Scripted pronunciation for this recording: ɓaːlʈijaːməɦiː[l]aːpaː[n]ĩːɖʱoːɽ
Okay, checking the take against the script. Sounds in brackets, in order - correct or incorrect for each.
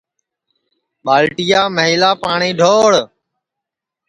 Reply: correct, incorrect

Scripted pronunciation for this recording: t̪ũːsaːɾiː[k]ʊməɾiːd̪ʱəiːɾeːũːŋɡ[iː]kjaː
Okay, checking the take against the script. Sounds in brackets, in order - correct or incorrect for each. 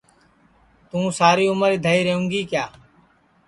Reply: incorrect, correct

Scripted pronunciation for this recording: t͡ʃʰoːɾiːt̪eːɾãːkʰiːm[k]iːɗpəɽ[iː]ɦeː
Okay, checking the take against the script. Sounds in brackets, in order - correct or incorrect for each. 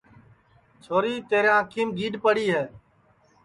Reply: incorrect, correct

